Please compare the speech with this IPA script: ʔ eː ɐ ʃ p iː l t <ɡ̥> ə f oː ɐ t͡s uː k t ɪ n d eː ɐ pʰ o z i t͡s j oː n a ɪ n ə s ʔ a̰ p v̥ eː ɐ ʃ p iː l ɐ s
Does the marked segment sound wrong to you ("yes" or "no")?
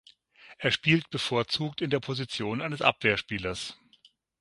yes